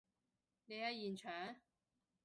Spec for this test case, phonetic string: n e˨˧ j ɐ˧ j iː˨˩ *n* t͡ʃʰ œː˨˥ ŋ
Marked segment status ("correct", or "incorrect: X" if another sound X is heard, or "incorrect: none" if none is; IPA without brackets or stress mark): correct